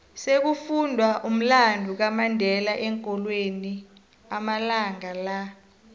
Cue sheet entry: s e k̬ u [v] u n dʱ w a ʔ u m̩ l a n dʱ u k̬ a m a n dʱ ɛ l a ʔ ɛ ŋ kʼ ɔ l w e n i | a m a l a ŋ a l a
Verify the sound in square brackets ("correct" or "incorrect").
incorrect